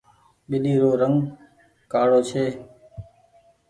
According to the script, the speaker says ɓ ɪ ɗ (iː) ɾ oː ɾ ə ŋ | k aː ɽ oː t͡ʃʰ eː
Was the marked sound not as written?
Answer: no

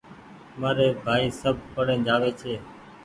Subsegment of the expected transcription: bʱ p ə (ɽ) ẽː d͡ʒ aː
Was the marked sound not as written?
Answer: no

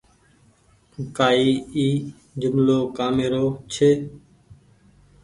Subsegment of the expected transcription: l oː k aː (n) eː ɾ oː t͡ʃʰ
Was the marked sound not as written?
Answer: yes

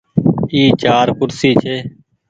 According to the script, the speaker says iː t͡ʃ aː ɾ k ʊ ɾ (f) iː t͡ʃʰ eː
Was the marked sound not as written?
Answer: yes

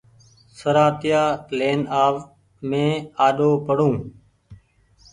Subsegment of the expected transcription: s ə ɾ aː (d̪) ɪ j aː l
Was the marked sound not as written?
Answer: yes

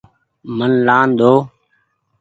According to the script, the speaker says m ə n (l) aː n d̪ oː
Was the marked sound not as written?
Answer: no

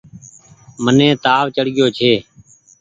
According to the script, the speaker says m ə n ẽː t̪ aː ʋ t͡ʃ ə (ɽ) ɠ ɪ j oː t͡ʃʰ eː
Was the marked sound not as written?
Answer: no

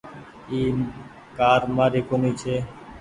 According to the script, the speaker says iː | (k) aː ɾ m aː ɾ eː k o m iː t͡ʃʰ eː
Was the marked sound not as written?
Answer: no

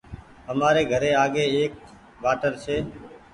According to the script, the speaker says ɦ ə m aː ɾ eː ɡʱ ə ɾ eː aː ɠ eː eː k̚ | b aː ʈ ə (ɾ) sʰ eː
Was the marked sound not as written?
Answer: no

